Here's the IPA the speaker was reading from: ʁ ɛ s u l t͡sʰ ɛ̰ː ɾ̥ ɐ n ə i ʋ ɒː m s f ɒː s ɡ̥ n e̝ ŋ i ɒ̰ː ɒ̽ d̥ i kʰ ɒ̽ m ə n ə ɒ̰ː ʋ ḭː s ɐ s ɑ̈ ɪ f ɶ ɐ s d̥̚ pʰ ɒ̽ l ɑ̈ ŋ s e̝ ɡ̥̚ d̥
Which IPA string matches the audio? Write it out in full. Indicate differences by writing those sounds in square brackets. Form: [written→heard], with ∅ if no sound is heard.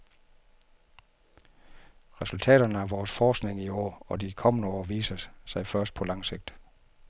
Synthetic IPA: ʁ ɛ s u l t͡sʰ ɛ̰ː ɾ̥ ɐ n ə [i→æ] ʋ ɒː [m→∅] s f ɒː s ɡ̥ n e̝ ŋ i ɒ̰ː ɒ̽ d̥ i kʰ ɒ̽ m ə n ə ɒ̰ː ʋ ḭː s ɐ s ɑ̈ ɪ f ɶ ɐ s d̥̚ pʰ ɒ̽ l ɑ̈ ŋ s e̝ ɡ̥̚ d̥